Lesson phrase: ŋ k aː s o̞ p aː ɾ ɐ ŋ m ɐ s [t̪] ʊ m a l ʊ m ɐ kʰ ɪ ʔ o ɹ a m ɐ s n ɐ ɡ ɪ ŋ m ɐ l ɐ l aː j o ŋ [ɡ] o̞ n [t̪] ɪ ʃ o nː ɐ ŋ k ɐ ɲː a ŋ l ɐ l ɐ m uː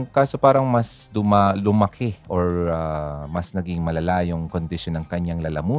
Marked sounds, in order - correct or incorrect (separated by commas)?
incorrect, incorrect, incorrect